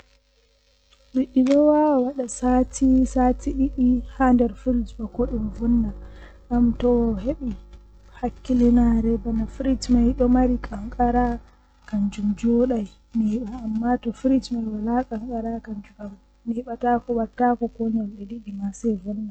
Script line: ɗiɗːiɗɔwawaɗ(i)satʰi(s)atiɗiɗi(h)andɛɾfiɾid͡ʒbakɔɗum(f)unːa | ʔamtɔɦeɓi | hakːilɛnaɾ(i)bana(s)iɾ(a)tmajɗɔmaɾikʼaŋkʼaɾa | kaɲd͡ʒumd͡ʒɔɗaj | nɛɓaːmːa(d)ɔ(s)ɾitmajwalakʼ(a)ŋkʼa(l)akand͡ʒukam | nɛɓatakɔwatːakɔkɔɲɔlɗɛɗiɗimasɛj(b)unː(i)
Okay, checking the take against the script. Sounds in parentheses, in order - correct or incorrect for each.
incorrect, correct, correct, incorrect, incorrect, incorrect, incorrect, incorrect, incorrect, correct, incorrect, incorrect, incorrect

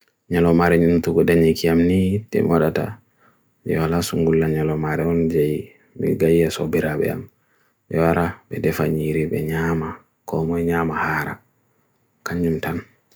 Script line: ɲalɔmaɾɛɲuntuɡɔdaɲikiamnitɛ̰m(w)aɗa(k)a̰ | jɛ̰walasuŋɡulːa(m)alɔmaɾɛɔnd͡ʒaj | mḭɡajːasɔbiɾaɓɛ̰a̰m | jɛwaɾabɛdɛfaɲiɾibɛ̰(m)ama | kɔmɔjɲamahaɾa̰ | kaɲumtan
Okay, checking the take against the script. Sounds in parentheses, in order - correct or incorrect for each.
correct, incorrect, incorrect, incorrect

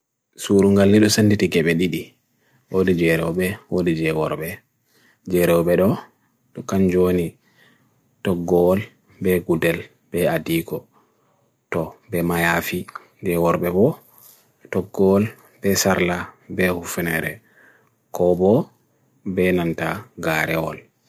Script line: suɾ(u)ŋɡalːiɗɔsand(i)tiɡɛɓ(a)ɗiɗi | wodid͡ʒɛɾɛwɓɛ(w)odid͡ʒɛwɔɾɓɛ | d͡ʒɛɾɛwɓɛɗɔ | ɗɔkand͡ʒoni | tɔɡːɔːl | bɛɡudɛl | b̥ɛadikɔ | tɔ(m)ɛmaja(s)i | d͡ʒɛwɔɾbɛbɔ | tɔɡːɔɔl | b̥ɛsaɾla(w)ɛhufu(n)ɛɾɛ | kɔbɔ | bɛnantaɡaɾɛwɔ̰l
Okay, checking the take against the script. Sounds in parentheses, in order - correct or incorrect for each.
correct, correct, incorrect, correct, incorrect, incorrect, incorrect, correct

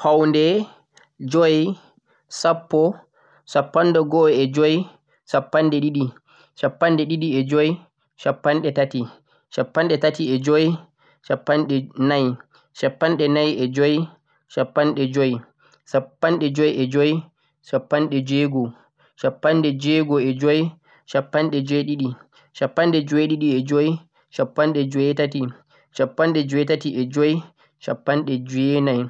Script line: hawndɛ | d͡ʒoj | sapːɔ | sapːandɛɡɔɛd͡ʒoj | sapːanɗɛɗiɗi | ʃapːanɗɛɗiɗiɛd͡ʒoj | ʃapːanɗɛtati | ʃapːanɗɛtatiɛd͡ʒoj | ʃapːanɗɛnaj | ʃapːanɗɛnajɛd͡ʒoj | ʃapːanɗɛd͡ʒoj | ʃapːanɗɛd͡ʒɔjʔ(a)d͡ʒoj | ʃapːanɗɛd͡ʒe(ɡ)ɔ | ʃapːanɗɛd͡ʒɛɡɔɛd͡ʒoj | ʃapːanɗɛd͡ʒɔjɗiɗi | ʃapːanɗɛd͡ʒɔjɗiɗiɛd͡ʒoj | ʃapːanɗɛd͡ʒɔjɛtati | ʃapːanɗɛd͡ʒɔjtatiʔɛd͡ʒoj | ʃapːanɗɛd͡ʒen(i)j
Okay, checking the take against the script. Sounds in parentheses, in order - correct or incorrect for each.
incorrect, correct, incorrect

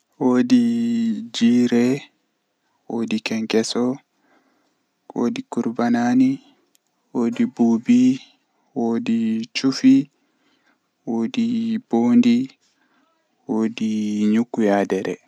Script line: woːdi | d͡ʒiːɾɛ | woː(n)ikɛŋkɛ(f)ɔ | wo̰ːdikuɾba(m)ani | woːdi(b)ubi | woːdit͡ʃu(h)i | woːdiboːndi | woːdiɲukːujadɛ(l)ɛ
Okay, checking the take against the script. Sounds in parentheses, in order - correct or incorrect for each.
incorrect, incorrect, incorrect, correct, incorrect, incorrect

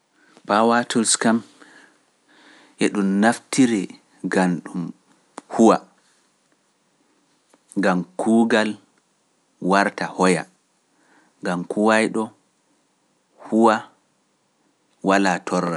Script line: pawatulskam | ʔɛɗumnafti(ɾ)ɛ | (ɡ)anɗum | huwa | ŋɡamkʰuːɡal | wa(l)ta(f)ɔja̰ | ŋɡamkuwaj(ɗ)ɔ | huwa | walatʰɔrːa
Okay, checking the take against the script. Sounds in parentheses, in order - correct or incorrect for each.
correct, correct, incorrect, incorrect, correct

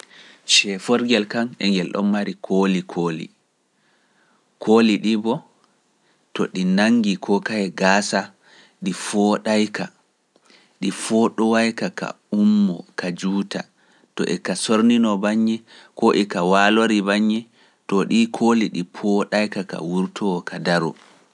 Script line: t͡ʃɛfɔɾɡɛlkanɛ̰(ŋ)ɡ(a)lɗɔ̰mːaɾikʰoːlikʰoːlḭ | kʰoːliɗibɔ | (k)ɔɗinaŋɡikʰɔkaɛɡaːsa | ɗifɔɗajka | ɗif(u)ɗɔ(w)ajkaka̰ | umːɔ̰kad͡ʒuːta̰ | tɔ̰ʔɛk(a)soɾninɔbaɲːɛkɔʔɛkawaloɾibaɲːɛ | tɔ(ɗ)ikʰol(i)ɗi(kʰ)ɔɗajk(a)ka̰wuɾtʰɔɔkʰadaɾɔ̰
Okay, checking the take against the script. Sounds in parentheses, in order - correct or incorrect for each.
correct, incorrect, incorrect, incorrect, correct, correct, correct, correct, incorrect, correct

